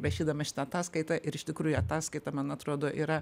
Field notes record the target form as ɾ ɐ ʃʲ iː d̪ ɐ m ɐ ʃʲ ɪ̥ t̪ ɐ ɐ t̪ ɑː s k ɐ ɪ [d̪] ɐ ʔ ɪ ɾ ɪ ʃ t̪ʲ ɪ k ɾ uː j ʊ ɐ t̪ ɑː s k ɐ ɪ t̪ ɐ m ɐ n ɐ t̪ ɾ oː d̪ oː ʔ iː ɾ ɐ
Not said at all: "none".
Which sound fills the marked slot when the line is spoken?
t̪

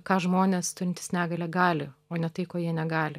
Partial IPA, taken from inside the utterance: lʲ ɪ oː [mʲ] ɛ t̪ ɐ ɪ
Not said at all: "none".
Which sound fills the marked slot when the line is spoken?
nʲ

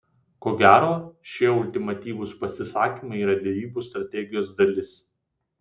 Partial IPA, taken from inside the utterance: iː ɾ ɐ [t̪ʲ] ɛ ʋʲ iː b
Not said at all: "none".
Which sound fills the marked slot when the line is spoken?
d̪ʲ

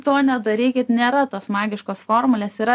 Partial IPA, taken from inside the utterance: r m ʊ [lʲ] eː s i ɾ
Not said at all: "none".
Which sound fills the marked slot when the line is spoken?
lʲ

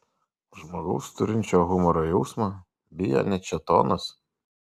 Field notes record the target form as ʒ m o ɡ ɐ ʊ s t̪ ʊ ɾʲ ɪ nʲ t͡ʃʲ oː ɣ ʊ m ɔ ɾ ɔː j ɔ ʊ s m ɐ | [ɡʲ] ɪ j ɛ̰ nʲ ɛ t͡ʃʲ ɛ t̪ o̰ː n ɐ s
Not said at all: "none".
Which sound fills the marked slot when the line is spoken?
bʲ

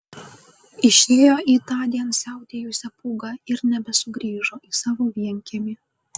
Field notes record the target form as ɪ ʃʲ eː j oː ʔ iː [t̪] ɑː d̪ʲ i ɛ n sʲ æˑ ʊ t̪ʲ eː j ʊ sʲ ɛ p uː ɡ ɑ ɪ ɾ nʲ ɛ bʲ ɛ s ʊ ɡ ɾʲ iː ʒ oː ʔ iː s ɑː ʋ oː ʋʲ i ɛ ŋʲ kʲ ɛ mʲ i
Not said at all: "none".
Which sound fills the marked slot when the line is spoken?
t̪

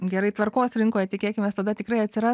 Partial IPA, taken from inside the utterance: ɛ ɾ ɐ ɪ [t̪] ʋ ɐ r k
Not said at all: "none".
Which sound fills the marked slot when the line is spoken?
t̪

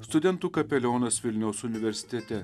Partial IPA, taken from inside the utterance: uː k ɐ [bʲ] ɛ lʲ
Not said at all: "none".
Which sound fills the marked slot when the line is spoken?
pʲ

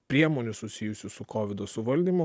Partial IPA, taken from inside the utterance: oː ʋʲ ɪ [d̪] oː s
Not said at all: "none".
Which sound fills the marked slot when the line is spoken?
d̪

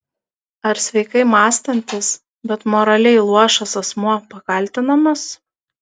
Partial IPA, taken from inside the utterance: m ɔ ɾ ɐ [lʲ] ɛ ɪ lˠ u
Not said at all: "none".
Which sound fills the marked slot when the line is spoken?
lʲ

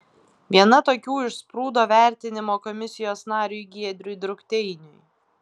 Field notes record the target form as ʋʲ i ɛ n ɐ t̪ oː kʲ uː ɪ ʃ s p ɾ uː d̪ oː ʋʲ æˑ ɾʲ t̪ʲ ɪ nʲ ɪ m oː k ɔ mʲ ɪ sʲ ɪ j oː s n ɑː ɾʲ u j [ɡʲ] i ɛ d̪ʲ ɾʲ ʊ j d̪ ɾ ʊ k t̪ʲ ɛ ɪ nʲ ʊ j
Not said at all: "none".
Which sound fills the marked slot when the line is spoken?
ɡʲ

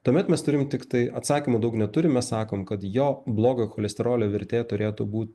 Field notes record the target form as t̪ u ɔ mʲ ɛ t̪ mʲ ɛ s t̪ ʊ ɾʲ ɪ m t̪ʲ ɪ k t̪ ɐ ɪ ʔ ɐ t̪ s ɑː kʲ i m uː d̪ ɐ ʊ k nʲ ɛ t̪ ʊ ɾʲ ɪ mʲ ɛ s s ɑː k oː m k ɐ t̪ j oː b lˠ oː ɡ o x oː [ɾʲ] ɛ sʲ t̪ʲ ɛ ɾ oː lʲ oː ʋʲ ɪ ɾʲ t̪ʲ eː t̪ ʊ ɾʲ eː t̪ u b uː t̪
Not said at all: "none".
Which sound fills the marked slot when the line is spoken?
lʲ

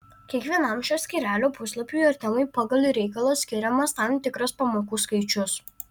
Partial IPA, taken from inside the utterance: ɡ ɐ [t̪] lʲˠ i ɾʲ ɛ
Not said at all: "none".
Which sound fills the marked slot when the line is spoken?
none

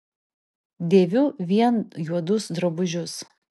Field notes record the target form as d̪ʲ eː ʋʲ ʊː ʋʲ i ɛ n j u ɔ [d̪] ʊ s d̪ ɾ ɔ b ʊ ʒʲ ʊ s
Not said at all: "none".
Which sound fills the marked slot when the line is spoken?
d̪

